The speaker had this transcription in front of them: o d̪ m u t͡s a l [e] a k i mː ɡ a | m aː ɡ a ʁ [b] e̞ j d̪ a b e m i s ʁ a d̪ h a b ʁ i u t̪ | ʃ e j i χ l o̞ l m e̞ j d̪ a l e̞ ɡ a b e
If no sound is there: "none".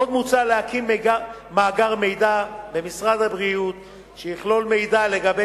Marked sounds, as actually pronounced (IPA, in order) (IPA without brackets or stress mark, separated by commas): e, m